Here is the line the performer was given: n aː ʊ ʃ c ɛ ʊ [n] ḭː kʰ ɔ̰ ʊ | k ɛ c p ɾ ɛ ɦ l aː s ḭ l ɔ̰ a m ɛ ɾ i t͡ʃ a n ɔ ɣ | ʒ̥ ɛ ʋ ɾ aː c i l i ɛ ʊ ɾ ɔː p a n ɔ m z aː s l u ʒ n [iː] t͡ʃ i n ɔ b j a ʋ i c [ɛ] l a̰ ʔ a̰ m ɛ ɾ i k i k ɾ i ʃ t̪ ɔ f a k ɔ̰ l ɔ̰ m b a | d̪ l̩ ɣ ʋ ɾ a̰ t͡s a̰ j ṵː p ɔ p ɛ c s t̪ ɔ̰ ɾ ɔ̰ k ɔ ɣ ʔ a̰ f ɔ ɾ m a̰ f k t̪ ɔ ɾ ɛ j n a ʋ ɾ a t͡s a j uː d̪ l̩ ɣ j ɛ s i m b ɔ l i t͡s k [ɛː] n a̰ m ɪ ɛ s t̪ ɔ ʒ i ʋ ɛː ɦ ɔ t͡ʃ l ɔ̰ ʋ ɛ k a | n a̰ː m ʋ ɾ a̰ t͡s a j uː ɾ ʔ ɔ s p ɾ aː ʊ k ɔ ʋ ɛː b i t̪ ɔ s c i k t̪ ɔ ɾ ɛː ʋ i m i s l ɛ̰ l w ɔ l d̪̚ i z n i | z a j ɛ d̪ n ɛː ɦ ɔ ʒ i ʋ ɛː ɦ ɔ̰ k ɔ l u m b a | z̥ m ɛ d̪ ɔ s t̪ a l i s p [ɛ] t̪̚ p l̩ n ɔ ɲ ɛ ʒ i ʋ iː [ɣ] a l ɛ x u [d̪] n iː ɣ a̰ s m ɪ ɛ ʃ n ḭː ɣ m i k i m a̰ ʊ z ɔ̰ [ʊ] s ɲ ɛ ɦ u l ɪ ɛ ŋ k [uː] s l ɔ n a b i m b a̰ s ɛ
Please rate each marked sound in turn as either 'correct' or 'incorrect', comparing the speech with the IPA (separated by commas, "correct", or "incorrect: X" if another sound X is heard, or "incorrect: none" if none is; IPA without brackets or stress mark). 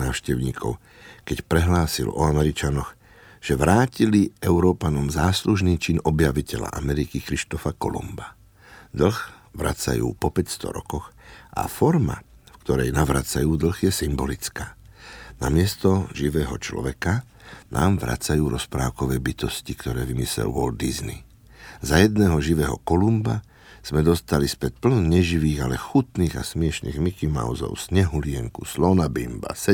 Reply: incorrect: ɲ, correct, correct, incorrect: aː, correct, correct, incorrect: t̪, correct, incorrect: u